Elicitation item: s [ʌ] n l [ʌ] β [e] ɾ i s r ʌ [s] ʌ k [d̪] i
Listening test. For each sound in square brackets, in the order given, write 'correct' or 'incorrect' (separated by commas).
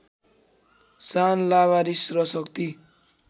incorrect, incorrect, incorrect, correct, incorrect